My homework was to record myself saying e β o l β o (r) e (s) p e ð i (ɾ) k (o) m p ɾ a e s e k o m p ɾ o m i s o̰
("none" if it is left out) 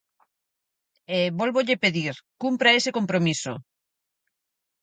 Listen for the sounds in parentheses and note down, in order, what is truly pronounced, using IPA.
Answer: ʎ, none, ɾ, u

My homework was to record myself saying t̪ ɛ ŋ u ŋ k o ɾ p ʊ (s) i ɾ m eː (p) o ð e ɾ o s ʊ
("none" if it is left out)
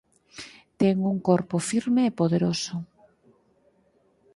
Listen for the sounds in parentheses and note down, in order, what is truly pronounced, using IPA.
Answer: f, p

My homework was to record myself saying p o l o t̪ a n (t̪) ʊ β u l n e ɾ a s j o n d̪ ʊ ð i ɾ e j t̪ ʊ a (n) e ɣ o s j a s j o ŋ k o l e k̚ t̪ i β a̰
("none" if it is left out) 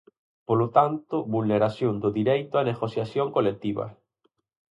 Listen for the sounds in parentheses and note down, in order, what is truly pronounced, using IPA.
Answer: t̪, n

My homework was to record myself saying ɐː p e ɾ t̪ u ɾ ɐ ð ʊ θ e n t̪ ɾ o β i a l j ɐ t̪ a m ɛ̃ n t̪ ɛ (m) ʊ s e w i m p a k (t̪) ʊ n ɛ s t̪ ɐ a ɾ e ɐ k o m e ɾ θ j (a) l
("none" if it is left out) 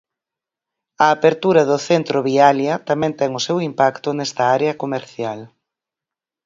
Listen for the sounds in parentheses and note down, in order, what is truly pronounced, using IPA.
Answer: ŋ, t̪, a

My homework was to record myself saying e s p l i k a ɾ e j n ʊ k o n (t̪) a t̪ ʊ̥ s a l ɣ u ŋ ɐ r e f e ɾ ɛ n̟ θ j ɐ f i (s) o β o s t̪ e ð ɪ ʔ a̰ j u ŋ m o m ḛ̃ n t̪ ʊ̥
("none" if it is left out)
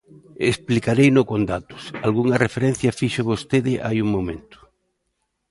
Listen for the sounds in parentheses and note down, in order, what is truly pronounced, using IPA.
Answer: d̪, ʃ

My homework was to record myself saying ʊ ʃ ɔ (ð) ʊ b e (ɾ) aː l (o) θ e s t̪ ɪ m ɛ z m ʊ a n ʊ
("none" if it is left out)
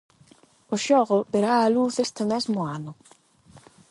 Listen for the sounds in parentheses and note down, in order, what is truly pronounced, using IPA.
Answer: ɣ, ɾ, u

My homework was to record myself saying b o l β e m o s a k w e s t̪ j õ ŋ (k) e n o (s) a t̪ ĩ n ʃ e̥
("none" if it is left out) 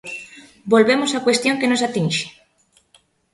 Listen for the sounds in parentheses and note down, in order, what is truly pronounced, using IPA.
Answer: k, s

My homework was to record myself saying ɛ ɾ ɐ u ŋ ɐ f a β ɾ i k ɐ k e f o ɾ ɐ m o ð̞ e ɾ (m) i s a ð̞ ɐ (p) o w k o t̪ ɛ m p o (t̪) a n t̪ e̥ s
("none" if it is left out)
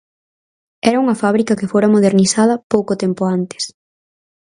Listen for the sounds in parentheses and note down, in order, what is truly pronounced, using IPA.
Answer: n, p, none

